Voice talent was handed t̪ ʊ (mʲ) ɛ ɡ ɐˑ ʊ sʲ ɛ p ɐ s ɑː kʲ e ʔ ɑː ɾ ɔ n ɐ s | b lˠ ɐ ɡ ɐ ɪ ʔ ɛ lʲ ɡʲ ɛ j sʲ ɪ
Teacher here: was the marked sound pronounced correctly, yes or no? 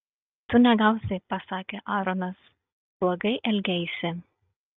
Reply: no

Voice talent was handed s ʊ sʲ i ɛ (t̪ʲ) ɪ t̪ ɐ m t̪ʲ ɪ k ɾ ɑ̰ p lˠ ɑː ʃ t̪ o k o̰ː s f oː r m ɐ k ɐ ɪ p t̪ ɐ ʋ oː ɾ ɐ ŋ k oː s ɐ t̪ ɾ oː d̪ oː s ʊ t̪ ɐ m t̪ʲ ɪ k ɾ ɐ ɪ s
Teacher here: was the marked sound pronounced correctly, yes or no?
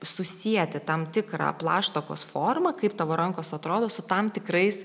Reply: yes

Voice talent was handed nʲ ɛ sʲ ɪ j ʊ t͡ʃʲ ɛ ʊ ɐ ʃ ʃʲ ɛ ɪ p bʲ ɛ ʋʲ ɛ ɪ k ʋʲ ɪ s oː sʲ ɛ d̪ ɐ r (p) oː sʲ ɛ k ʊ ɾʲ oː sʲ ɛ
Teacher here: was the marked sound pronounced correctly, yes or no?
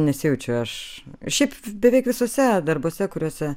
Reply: no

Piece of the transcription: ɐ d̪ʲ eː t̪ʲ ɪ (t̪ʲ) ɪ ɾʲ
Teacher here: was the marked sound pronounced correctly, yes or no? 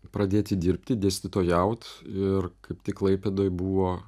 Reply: no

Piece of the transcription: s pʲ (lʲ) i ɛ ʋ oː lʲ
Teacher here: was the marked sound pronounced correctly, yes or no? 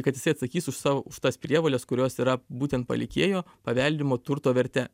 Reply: no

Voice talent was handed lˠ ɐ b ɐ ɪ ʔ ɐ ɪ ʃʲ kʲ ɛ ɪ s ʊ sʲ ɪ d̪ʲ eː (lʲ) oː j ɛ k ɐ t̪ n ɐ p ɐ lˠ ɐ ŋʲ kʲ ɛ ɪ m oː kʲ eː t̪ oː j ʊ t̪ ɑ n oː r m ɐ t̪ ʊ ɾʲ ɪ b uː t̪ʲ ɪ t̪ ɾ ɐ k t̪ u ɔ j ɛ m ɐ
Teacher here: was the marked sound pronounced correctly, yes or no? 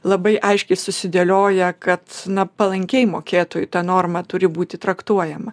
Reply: yes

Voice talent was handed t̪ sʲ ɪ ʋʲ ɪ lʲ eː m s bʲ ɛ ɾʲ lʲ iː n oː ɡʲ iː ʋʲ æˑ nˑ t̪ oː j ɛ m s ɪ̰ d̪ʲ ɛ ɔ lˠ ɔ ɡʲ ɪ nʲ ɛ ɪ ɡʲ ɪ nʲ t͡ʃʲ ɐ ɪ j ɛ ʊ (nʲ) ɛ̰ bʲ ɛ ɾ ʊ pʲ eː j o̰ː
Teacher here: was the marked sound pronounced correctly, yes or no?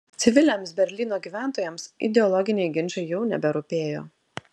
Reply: yes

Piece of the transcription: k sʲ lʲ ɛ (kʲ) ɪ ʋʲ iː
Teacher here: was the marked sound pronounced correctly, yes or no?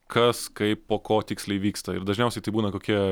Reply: no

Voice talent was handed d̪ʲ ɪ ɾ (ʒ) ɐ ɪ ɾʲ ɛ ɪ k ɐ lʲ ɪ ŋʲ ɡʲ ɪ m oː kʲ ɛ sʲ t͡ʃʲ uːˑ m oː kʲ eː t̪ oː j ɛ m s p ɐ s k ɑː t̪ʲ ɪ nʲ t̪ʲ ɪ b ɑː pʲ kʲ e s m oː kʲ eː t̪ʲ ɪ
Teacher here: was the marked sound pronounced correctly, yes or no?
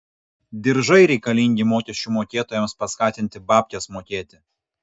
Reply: yes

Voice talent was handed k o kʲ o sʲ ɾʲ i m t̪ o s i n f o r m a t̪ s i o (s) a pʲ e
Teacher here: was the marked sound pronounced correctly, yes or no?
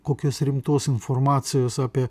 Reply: yes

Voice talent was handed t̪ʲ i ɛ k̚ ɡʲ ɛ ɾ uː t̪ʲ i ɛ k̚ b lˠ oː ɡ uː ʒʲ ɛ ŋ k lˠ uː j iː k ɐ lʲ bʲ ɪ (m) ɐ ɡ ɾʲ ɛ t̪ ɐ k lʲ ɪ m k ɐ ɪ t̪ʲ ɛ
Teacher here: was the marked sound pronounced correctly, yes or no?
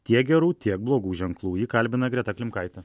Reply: no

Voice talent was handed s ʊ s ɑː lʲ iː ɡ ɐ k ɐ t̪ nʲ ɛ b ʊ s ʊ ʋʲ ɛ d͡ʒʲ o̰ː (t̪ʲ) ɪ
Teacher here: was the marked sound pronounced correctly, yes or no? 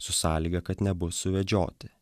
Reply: yes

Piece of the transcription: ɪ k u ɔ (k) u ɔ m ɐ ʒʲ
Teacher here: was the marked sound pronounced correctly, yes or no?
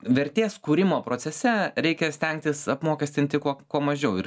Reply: yes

